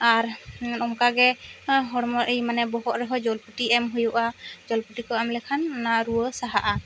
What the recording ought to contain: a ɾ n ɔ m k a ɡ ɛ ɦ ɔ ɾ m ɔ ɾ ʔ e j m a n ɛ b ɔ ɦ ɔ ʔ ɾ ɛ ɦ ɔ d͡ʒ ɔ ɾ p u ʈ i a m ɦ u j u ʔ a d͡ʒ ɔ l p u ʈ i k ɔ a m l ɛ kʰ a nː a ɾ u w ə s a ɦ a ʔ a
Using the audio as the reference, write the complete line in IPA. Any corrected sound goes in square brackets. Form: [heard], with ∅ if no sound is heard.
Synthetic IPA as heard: a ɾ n ɔ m k a ɡ ɛ ɦ ɔ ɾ m ɔ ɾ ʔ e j m a n ɛ b ɔ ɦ ɔ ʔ ɾ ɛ ɦ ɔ d͡ʒ ɔ [l] p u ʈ i [ɛ] m ɦ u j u ʔ a d͡ʒ ɔ l p u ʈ i k ɔ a m l ɛ kʰ a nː a ɾ u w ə s a ɦ a ʔ a